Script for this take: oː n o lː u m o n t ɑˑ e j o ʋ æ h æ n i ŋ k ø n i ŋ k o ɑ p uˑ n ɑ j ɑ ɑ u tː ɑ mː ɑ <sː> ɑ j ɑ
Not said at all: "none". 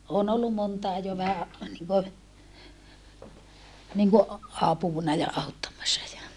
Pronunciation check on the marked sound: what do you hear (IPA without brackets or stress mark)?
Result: sː